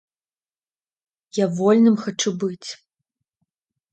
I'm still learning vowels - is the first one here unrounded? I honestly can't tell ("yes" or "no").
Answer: yes